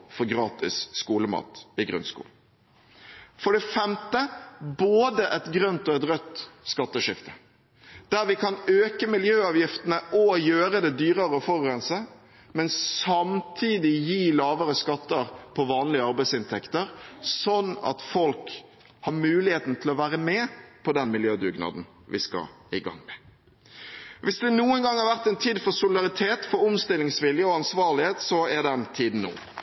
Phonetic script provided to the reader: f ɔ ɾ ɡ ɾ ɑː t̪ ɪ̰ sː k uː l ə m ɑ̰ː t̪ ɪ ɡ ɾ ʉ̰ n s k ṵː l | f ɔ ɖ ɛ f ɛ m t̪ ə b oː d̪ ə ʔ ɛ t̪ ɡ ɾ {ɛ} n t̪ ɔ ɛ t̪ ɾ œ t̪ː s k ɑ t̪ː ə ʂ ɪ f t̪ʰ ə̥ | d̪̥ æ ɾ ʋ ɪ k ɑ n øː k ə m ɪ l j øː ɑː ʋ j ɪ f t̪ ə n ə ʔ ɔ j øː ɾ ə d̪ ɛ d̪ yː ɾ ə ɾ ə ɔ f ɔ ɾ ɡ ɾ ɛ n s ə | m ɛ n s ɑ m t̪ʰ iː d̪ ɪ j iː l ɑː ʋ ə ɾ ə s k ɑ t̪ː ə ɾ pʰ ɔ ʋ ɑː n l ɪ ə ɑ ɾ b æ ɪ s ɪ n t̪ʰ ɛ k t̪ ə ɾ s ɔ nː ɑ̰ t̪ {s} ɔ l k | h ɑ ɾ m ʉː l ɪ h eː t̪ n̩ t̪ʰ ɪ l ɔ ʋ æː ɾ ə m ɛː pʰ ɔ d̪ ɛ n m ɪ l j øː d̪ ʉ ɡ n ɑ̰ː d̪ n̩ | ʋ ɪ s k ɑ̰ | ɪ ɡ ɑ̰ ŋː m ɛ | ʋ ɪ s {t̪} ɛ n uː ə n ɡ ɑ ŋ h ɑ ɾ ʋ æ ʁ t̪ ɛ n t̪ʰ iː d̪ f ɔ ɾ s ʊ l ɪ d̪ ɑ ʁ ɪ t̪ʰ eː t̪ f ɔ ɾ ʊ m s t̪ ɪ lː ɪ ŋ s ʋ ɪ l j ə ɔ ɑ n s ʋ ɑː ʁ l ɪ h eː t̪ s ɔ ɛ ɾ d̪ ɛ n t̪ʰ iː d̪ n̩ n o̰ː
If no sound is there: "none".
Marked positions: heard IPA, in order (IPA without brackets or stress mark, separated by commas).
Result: œ, f, d̪